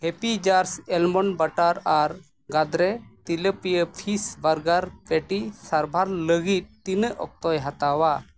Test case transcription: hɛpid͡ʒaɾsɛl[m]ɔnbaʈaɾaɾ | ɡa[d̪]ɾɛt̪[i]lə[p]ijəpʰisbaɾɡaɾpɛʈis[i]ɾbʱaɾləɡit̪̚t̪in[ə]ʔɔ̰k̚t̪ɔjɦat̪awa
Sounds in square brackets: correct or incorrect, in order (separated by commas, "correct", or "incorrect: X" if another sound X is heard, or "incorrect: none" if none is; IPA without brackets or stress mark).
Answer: correct, correct, correct, correct, incorrect: a, correct